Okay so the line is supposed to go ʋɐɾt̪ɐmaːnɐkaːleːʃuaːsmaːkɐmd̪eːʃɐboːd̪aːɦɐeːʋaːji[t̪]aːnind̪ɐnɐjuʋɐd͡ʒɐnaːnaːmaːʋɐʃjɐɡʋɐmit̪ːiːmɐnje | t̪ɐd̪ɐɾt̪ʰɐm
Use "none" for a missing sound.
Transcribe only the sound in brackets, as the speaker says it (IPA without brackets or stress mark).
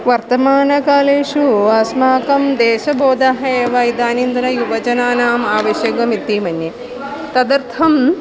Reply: d̪